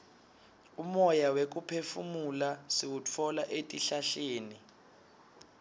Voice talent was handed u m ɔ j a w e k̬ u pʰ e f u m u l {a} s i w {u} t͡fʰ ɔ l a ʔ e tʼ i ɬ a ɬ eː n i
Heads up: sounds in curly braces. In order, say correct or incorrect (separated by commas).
correct, correct